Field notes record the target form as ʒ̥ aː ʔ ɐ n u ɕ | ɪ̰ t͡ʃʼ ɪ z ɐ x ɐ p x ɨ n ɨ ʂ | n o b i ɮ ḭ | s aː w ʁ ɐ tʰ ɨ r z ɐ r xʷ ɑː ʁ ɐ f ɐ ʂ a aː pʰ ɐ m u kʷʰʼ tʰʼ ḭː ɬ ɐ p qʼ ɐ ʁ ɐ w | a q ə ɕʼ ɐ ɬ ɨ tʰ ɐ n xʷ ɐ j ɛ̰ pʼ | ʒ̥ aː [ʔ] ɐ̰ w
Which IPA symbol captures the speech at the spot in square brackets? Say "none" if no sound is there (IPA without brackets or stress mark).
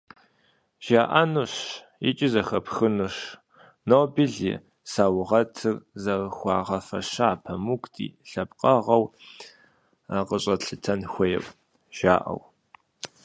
ʔ